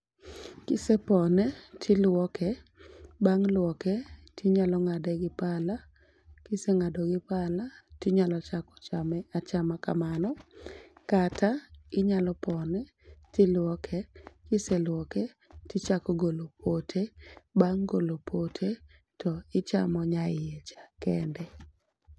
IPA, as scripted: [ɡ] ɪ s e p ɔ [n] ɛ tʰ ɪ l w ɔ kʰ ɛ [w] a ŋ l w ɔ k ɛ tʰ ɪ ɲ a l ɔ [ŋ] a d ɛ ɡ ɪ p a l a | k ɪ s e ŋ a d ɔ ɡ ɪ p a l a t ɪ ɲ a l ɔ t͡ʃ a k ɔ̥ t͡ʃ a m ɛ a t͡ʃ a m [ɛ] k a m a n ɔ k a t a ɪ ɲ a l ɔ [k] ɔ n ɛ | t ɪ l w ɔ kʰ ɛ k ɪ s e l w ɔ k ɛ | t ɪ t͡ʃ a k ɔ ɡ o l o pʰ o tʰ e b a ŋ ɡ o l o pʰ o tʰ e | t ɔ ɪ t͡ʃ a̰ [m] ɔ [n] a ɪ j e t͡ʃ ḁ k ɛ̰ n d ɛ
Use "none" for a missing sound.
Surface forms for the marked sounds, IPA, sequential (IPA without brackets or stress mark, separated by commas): k, n, b, ŋ, a, p, m, ɲ